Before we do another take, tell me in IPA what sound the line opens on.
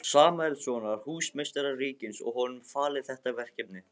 s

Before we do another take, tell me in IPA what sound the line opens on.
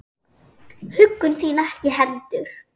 h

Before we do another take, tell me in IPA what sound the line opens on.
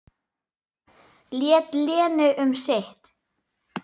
l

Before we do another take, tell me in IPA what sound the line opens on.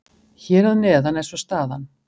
ç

